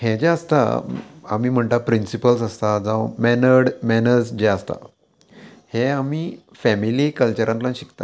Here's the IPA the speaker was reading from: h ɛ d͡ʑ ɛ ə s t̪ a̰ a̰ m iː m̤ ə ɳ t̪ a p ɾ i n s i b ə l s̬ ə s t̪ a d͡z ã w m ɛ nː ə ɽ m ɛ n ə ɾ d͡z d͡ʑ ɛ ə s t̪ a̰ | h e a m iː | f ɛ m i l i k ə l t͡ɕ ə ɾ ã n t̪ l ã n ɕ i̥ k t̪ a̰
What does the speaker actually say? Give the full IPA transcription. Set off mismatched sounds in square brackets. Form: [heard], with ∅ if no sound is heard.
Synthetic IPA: h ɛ d͡ʑ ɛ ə s t̪ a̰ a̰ m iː m̤ ə ɳ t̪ a p ɾ i n s i [p] ə l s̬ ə s t̪ a d͡z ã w m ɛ [n] ə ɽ m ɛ n ə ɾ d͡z d͡ʑ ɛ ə s t̪ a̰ | h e a m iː | f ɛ m i l i k ə l t͡ɕ ə ɾ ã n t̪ l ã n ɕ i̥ k t̪ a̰